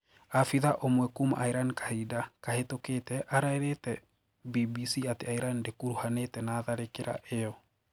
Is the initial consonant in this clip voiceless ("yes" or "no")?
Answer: yes